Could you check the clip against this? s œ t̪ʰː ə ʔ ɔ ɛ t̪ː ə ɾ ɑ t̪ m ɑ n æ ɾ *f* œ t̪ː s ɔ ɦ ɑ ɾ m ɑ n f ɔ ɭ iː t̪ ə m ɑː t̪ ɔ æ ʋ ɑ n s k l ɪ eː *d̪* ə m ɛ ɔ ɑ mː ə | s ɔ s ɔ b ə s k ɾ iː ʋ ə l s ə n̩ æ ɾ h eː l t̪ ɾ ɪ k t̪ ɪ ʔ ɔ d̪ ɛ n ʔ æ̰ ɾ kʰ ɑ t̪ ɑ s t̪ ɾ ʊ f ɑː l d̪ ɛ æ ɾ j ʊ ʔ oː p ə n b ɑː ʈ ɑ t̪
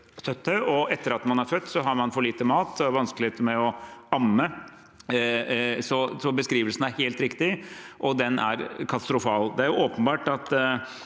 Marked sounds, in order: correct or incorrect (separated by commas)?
correct, incorrect